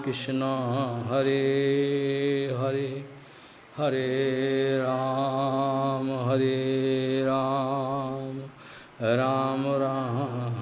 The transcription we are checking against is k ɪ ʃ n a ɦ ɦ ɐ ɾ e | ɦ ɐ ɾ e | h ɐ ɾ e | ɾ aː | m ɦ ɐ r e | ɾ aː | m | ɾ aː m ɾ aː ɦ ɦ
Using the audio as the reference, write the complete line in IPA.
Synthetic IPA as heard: k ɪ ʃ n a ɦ ɦ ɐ ɾ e | ɦ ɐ ɾ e | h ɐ ɾ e | ɾ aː | m ɦ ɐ ɾ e | ɾ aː | m | ɾ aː m ɾ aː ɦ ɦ

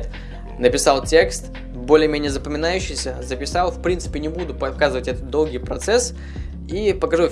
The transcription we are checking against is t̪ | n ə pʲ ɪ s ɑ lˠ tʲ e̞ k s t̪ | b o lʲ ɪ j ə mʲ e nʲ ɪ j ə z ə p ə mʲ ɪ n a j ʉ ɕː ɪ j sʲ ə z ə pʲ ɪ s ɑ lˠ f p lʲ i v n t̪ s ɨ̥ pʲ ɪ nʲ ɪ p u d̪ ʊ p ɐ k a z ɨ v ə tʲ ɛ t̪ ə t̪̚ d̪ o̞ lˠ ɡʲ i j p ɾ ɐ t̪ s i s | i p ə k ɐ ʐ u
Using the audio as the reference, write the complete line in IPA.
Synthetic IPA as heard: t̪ | n ə pʲ ɪ s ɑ lˠ tʲ e̞ k s t̪ | b o lʲ ɪ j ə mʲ e nʲ ɪ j ə z ə p ə mʲ ɪ n a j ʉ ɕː ɪ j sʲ ə z ə pʲ ɪ s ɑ lˠ f p ɾʲ i n t̪ s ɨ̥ pʲ ɪ nʲ ɪ b u d̪ ʊ p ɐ k a z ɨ v ə tʲ ɛ t̪ ə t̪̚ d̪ o̞ lˠ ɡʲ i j p ɾ ɐ t̪ s ɛ s | i p ə k ɐ ʐ u

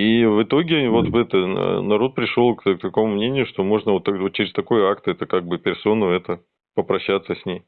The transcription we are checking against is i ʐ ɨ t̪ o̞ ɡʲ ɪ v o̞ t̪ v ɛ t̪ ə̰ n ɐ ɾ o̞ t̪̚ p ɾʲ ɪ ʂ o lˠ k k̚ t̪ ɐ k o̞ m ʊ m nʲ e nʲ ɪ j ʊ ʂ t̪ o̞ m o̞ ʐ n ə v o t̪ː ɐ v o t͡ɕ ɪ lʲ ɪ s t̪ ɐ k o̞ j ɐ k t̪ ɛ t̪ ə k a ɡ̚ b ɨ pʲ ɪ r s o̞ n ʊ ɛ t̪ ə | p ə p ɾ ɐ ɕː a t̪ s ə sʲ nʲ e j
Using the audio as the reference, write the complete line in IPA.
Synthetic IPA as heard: i v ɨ t̪ o̞ ɡʲ ɪ v o̞ t̪ v ɛ t̪ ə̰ n ɐ ɾ o̞ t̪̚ p ɾʲ ɪ ʂ o lˠ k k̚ t̪ ɐ k o̞ m ʊ m nʲ e nʲ ɪ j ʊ ʂ t̪ o̞ m o̞ ʐ n ə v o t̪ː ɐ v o t͡ɕ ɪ ɾʲ ɪ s t̪ ɐ k o̞ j a k t̪ ɛ t̪ ə k a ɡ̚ b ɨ pʲ ɪ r s o̞ n ʊ ɛ t̪ ə | p ə p ɾ ɐ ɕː a t̪ s ə sʲ nʲ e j

